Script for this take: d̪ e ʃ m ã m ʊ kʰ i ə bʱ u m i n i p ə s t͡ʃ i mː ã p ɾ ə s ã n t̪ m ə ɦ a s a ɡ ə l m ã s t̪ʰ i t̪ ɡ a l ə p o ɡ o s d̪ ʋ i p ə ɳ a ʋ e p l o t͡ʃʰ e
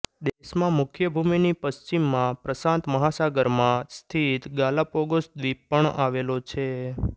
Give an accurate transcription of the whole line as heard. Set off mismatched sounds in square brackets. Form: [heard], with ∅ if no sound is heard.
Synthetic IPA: d̪ e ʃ m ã m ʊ kʰ [j] ə bʱ u m i n i p ə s t͡ʃ i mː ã p ɾ ə s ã n t̪ m ə ɦ a s a ɡ ə [ɾ] m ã s t̪ʰ i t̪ ɡ a l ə p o ɡ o s d̪ ʋ i p ə ɳ a ʋ e [∅] l o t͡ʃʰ e